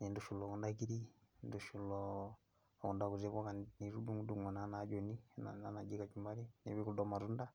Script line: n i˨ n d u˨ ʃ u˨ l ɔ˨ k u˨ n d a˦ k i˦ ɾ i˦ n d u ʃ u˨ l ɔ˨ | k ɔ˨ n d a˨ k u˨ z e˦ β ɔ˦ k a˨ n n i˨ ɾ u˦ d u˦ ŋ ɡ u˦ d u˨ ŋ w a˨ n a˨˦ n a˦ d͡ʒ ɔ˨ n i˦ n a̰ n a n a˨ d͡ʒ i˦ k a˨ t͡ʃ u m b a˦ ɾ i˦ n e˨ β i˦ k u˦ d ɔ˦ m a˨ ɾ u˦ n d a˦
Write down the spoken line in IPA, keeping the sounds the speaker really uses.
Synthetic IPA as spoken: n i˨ n d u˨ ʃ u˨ l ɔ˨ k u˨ n d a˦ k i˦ ɾ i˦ n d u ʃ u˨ l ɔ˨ | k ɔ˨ n d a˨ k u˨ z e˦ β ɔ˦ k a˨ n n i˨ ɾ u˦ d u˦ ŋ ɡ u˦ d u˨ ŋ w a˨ n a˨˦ n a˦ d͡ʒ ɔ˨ n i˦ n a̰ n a n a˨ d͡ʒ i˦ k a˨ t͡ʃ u m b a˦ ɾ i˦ n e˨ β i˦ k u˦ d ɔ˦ m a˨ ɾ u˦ n d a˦